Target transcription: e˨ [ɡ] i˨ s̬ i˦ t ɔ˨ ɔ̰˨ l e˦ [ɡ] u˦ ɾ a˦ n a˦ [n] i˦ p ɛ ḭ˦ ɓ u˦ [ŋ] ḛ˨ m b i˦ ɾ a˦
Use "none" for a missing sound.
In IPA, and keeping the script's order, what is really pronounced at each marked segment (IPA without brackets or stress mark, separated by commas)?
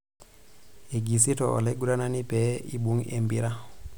ɡ, ɡ, n, ŋ